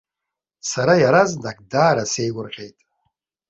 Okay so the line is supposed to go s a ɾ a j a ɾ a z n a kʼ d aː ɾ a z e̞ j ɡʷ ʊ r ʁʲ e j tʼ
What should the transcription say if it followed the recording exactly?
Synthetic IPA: s a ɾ a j a ɾ a z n a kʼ d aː ɾ a s e̞ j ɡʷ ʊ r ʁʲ e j tʼ